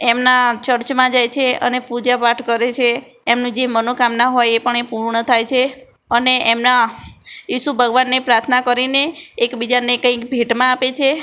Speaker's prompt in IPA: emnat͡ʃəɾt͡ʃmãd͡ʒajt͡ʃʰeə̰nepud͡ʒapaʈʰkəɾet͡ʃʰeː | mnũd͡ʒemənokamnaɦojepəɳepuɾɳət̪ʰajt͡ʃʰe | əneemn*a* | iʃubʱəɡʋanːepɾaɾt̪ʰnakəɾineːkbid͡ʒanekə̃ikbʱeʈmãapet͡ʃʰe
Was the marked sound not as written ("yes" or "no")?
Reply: no